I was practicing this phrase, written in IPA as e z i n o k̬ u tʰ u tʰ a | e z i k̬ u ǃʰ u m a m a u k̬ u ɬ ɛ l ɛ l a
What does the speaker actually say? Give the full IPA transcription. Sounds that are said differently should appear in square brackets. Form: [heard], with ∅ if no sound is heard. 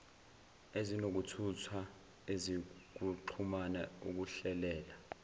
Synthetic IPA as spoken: e z i n o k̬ u tʰ u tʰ a | e z i k̬ u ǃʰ u m a [n] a u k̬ u ɬ ɛ l [ɛː] l a

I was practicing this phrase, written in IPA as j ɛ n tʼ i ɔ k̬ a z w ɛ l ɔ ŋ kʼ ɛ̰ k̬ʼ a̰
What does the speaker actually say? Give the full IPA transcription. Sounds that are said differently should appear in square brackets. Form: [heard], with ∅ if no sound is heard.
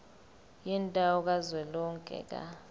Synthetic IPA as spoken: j [i] n tʼ [a] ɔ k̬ a z w ɛ l ɔ ŋ kʼ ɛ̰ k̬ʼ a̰

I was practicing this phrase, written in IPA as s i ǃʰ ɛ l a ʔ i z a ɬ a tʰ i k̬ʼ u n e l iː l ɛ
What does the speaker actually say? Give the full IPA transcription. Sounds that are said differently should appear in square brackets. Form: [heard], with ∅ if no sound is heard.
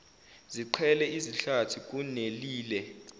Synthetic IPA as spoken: [z] i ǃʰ ɛ l [ɛ] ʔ i z [i] ɬ a tʰ i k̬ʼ u n e l iː l ɛ

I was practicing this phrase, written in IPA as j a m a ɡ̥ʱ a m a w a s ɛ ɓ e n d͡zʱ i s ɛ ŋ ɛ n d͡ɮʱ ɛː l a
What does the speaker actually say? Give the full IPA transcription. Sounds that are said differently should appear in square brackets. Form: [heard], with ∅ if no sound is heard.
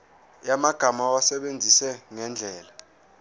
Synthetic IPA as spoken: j a m a ɡ̥ʱ a m a w a s ɛ ɓ e n d͡zʱ i s ɛ ŋ ɛ n d͡ɮʱ ɛː l a

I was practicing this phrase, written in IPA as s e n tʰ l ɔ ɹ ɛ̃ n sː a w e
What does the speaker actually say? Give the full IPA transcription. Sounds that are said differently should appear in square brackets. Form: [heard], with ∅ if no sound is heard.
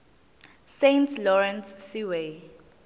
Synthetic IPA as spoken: s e n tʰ l ɔ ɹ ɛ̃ n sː [i] w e

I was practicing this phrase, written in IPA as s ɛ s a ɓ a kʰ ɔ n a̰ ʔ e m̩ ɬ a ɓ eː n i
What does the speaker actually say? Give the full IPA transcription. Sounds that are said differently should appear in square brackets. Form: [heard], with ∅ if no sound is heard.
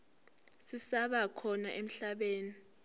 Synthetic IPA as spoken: s [i] s a ɓ a kʰ ɔ n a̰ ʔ e m̩ ɬ a ɓ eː n i

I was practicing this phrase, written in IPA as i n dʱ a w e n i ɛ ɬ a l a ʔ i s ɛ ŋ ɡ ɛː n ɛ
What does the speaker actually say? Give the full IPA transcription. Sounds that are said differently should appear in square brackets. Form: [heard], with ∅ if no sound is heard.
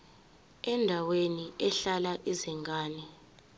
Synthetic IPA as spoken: [ɛ] n dʱ a w e n i ɛ ɬ a l a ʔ i [z] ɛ ŋ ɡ [aː] n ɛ

